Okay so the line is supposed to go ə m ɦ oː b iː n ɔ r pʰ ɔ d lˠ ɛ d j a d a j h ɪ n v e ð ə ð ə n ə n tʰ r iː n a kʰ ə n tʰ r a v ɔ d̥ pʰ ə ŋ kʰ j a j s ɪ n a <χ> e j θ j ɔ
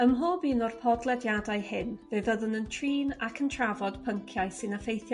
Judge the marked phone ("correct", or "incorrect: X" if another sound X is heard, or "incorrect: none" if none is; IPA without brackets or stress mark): incorrect: f